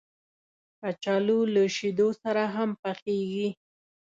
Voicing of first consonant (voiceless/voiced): voiceless